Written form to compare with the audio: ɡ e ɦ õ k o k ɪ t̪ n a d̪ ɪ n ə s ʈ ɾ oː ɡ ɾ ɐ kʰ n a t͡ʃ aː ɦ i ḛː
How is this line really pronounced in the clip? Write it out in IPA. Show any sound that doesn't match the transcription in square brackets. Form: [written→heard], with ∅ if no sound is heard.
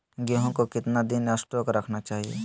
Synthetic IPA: ɡ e ɦ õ k o k ɪ t̪ n a d̪ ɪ n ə s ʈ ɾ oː [ɡ→k] ɾ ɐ kʰ n a t͡ʃ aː ɦ i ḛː